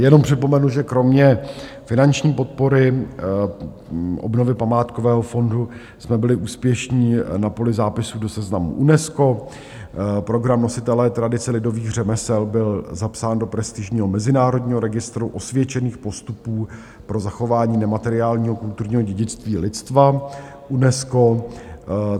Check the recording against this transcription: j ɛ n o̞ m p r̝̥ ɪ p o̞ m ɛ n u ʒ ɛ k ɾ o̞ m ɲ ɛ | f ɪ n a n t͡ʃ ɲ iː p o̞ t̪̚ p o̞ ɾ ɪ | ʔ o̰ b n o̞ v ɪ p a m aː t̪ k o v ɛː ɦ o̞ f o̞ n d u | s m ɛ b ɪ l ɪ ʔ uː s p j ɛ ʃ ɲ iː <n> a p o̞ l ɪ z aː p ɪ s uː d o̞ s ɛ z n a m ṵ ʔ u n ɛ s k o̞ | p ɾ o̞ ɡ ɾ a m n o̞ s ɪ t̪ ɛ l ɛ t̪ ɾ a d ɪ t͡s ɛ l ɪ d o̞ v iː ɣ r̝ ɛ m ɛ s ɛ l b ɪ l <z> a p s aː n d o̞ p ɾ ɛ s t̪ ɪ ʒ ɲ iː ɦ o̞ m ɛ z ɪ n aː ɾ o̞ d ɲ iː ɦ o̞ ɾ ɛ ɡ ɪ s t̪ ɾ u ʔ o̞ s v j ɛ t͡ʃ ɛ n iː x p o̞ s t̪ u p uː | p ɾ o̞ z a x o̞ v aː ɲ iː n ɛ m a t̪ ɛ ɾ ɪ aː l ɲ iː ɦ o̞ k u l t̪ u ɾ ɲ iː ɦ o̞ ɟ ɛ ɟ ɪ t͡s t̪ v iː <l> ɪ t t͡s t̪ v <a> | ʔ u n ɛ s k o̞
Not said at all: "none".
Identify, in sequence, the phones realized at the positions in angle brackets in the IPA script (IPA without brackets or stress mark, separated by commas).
n, z, l, a